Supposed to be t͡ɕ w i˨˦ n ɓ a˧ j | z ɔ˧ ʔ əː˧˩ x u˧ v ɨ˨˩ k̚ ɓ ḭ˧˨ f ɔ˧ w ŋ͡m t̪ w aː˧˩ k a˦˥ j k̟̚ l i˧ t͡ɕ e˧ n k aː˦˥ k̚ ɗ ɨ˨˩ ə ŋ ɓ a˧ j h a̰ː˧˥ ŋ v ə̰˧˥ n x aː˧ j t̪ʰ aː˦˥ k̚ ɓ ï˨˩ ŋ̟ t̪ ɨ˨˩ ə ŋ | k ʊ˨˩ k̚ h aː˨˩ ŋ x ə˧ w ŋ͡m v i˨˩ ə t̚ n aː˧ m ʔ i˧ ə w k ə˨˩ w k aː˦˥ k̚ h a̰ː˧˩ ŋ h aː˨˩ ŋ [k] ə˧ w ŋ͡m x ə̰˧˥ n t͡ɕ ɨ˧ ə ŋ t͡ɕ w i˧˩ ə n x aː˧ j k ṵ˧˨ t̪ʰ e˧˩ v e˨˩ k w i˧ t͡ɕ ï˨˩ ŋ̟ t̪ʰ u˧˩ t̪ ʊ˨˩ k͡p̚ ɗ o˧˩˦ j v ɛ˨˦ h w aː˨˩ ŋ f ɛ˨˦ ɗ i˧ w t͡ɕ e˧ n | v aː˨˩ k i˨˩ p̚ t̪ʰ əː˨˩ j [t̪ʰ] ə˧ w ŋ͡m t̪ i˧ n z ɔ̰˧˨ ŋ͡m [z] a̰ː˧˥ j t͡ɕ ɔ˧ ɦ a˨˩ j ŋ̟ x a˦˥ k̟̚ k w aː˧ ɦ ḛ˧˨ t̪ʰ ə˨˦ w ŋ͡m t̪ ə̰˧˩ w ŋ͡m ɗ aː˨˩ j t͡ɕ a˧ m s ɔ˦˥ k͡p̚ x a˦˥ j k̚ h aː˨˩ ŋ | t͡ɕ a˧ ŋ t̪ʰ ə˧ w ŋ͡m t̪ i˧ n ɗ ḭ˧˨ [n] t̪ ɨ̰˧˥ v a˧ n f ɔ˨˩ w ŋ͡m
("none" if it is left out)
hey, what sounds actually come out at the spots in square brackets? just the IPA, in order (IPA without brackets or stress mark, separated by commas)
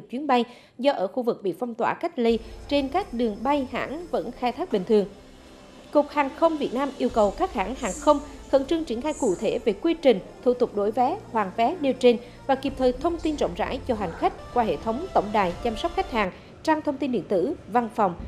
x, t̪ʰ, z, n